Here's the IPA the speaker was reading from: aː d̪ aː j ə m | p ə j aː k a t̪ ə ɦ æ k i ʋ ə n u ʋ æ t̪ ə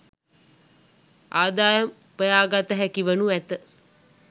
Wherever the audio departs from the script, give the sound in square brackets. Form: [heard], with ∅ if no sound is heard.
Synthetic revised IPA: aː d̪ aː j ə m | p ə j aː [ɡ] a t̪ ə ɦ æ k i ʋ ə n u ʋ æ t̪ ə

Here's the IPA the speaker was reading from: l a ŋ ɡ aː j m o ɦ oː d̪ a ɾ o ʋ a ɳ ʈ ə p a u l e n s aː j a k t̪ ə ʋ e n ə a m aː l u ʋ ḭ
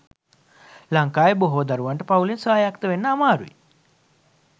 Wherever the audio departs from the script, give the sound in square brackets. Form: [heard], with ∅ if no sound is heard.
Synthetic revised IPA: l a ŋ [k] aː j [b] o ɦ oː d̪ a ɾ [u] ʋ a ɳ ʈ ə p a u l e n s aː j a k t̪ ə ʋ e [nː] ə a m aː [ɾ] u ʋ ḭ

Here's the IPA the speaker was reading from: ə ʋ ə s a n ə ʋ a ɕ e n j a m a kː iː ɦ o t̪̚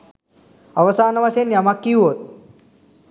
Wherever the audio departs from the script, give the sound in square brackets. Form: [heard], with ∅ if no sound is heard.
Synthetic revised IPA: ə ʋ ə s a n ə ʋ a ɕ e n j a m a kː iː ɦ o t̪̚

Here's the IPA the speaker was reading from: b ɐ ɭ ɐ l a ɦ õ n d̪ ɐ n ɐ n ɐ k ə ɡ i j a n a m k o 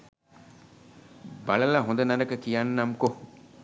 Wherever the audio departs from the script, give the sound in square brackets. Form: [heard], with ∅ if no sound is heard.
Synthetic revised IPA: b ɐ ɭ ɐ l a ɦ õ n d̪ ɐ n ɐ n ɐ k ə [k] i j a [nː] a m k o

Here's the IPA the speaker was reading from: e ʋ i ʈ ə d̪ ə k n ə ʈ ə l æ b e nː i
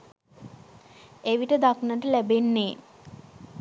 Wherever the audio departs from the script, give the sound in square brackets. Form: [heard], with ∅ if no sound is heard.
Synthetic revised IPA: e ʋ i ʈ ə d̪ [a] k n ə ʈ ə l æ b e nː [e]

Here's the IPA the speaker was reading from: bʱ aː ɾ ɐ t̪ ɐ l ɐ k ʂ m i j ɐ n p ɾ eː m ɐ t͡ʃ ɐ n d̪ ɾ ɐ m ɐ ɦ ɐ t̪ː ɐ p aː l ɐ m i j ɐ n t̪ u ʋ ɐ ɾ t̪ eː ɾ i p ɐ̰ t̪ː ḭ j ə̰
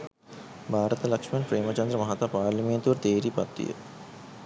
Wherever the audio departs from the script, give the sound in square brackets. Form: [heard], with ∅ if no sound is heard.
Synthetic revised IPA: bʱ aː ɾ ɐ t̪ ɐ l ɐ k ʂ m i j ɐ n p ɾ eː m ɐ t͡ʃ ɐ n d̪ ɾ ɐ m ɐ ɦ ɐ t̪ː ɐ p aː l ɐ m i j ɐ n t̪ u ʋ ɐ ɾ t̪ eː ɾ i p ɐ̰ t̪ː ḭ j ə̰

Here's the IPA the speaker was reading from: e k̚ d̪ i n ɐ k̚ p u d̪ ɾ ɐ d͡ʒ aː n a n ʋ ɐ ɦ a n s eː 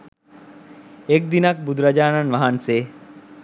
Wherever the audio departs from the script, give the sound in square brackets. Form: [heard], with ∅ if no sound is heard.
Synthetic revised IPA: e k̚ d̪ i n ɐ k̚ [b] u d̪ ɾ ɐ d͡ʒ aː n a n ʋ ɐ ɦ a n s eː

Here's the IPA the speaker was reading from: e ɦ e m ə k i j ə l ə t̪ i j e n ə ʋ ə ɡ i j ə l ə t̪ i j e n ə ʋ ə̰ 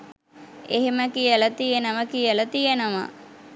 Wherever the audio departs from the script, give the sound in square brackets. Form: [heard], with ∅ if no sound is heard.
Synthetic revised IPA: e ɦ e m ə k i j ə l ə t̪ i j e n ə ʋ ə [k] i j ə l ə t̪ i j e n ə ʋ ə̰

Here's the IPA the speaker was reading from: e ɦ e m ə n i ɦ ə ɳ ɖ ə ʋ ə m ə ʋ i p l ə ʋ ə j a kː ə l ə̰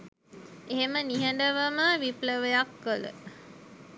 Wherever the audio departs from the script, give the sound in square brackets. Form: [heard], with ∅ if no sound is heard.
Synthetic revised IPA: e ɦ e m ə n i ɦ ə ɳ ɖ ə ʋ ə m ə ʋ i p l ə ʋ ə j a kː ə l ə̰

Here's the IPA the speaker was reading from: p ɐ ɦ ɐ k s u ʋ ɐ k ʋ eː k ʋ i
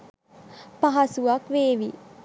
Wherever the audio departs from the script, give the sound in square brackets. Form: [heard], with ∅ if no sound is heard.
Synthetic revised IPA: p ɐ ɦ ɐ [∅] s u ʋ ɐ k ʋ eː [∅] ʋ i

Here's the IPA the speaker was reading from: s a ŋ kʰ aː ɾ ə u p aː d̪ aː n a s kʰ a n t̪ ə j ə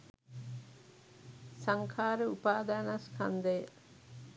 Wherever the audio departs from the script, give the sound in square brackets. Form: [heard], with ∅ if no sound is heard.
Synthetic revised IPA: s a ŋ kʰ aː ɾ ə u p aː d̪ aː n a s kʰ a n [d̪] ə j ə

